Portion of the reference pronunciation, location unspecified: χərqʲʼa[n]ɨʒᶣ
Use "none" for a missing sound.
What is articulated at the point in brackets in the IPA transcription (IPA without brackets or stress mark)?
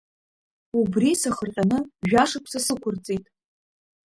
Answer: n